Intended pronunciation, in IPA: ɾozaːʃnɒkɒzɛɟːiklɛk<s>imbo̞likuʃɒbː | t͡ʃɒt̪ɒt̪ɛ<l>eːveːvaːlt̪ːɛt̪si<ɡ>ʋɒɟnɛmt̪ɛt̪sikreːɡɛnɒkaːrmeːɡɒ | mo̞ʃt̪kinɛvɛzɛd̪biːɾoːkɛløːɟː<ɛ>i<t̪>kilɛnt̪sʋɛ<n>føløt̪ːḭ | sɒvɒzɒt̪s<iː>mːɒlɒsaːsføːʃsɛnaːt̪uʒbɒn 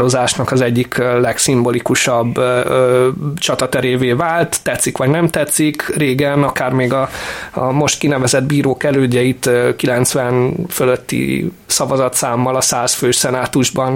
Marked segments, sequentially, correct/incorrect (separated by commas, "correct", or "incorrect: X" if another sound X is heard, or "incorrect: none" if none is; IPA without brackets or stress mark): correct, incorrect: ɾ, incorrect: k, correct, correct, correct, incorrect: aː